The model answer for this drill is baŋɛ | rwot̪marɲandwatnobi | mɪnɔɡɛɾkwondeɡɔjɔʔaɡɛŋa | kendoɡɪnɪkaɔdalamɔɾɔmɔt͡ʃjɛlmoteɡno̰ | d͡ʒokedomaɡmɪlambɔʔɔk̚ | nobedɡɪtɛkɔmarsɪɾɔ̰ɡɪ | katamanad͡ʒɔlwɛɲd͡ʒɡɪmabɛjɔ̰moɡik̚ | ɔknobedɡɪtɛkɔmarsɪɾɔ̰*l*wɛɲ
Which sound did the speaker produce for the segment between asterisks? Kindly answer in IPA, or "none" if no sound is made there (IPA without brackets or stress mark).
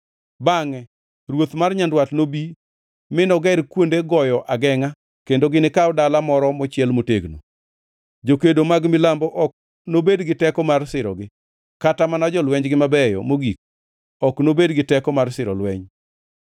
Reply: l